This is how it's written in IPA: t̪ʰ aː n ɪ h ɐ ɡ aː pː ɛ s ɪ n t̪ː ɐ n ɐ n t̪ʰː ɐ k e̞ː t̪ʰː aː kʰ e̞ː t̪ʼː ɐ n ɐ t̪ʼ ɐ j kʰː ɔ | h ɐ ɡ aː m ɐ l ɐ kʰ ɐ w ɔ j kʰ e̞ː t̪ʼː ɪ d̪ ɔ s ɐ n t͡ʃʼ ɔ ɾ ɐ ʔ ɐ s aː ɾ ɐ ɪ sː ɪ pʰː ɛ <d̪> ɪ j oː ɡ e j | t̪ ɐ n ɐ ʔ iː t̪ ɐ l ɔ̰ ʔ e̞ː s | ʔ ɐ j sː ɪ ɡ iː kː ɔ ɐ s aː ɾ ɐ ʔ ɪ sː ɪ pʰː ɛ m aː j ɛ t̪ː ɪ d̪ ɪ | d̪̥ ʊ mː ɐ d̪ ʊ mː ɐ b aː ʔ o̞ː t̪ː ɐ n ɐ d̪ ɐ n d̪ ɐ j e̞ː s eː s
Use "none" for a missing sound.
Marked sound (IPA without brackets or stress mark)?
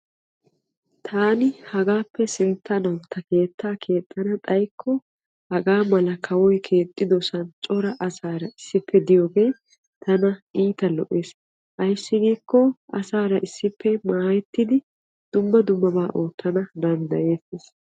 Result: d̪